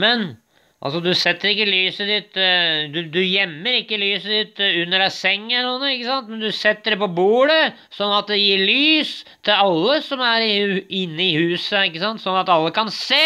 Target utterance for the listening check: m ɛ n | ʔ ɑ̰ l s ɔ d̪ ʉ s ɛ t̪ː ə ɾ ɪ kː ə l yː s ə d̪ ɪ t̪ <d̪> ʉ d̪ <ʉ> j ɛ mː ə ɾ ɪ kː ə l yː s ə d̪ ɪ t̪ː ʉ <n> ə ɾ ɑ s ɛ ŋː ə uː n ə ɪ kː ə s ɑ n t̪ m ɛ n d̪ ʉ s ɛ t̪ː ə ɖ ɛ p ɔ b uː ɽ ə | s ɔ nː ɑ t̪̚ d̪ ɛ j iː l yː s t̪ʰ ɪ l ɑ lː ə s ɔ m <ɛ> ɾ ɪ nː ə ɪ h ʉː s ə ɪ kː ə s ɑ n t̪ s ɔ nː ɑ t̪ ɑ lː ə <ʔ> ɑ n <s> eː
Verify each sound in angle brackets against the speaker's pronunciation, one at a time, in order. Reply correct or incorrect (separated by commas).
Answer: correct, correct, incorrect, incorrect, incorrect, correct